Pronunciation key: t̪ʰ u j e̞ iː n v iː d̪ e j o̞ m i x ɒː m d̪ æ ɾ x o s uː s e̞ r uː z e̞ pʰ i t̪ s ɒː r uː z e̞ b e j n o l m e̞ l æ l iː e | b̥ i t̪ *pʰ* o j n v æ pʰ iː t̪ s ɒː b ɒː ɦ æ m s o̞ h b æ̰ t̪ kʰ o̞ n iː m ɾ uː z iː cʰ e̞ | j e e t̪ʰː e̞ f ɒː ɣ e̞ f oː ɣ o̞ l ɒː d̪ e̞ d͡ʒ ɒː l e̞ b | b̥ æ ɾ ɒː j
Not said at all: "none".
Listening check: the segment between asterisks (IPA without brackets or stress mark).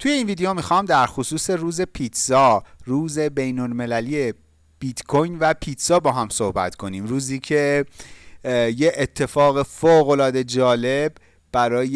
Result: kʰ